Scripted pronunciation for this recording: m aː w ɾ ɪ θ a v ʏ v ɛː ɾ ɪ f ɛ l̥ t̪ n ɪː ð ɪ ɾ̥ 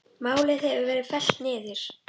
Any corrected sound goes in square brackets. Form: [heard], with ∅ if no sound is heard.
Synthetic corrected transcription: m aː w [l] ɪ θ [ɛ] v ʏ v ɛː ɾ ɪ f ɛ l̥ t̪ n ɪː ð ɪ ɾ̥

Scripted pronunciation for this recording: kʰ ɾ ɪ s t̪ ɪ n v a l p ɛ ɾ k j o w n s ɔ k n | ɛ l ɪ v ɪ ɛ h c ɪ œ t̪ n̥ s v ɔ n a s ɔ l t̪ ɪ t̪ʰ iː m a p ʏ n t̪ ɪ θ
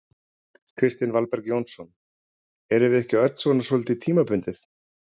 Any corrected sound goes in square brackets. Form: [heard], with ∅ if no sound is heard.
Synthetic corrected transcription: kʰ ɾ ɪ s t̪ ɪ n v a l p ɛ ɾ k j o w n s ɔ [∅] n | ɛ [ɾ] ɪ v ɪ ɛ h c ɪ œ t̪ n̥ s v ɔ n a s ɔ l t̪ ɪ t̪ʰ iː m a p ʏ n t̪ ɪ θ

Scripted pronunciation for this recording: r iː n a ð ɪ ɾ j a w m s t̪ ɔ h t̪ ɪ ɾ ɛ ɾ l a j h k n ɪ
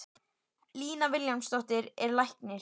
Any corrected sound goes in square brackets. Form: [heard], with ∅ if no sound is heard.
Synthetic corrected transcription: [l] iː n a [v] ɪ [l] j a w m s t̪ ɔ h t̪ ɪ ɾ ɛ ɾ l a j h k n ɪ

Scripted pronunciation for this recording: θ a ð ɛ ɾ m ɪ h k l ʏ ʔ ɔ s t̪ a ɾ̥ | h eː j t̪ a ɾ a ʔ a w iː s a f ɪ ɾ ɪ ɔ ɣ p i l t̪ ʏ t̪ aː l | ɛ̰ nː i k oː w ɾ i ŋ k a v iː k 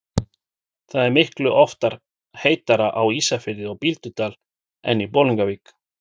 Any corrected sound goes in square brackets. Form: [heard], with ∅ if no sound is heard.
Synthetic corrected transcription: θ a ð ɛ ɾ m ɪ h k l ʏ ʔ ɔ [f] t̪ a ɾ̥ | h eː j t̪ a ɾ a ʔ a w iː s a f ɪ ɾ ɪ ɔ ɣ p i l t̪ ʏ t̪ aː l | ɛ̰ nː i [p] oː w [l] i ŋ k a v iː k

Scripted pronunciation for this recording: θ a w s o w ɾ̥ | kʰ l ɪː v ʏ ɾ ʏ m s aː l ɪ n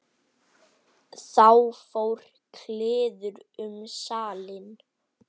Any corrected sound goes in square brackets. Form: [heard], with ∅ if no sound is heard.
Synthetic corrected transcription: θ a w [f] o w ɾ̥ | kʰ l ɪː [ð] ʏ ɾ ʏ m s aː l ɪ n

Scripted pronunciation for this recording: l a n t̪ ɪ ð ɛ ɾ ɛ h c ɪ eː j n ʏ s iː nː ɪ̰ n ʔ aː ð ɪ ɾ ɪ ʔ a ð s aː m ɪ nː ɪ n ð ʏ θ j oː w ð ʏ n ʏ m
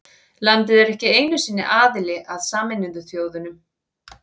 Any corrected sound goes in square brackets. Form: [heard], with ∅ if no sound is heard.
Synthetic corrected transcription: l a n t̪ ɪ ð ɛ ɾ ɛ h c ɪ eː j n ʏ s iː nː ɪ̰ [∅] ʔ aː ð ɪ [l] ɪ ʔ a ð s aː m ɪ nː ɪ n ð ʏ θ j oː w ð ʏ n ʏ m

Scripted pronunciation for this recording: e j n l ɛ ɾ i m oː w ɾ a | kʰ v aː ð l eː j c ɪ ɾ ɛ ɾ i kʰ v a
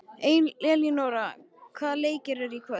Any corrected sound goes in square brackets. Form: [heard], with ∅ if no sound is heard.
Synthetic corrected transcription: e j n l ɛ [l] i [n] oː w ɾ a | kʰ v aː ð l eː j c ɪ ɾ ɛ ɾ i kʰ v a

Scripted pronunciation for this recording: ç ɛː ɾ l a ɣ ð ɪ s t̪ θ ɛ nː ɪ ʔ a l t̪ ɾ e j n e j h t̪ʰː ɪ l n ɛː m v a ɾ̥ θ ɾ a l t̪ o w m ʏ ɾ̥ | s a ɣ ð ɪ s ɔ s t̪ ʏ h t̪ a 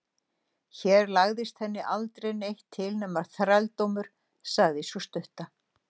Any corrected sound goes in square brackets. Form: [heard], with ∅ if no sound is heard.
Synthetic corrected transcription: ç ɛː ɾ l a ɣ ð ɪ s t̪ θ ɛ nː ɪ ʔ a l t̪ ɾ e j n e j h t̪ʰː ɪ l n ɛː m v a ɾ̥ θ ɾ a l t̪ o w m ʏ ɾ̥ | s a ɣ ð ɪ s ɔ s t̪ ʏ h t̪ a

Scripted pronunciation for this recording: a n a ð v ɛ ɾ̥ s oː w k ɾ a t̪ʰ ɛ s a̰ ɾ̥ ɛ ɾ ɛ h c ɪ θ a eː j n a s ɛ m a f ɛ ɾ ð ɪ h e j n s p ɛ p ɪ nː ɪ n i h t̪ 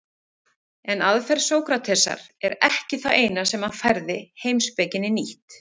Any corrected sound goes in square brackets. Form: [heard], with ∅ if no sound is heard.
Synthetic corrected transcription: [ɛ] n a ð [f] ɛ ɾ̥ s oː w k ɾ a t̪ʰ ɛ s a̰ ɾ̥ ɛ ɾ ɛ h c ɪ θ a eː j n a s ɛ m a f ɛ ɾ ð ɪ h e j [m] s p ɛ [c] ɪ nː ɪ n i h t̪

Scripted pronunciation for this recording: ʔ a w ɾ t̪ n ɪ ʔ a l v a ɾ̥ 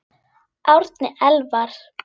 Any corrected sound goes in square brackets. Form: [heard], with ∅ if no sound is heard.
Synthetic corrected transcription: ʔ a w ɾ t̪ n ɪ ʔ [ɛ] l v a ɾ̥

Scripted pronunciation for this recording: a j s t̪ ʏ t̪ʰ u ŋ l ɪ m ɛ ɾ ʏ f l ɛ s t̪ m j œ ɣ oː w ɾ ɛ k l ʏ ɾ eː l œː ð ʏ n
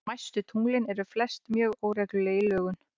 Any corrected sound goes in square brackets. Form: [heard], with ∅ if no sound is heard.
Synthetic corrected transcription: a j s t̪ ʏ t̪ʰ u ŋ l ɪ [n] ɛ ɾ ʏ f l ɛ s t̪ m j [œː] ɣ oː w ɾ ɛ k l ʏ [l] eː l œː [ɣ] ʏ n

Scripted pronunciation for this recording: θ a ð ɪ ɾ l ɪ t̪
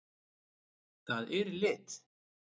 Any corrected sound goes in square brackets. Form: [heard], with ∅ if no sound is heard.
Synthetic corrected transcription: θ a ð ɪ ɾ l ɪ t̪

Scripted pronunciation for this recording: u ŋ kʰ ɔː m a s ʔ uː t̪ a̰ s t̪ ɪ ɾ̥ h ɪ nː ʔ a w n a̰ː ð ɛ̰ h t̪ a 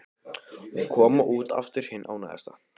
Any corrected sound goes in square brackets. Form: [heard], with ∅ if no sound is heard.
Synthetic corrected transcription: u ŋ kʰ ɔː m a [∅] ʔ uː t̪ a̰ [f] t̪ ɪ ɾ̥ h ɪ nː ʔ a w n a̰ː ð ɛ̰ [s] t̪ a

